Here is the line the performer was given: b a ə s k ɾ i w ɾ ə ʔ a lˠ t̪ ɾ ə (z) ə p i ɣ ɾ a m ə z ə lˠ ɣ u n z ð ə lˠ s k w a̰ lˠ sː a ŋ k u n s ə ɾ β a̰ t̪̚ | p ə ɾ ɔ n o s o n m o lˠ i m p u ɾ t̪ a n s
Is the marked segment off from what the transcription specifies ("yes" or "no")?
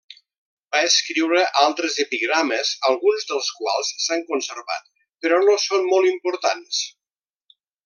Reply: no